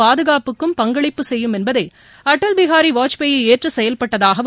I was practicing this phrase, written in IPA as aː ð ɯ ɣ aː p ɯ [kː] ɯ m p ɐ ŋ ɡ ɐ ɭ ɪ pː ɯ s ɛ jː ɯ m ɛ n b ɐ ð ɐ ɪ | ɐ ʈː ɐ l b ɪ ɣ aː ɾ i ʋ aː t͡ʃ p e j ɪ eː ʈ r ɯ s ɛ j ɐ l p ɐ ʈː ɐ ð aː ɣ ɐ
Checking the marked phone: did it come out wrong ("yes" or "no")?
no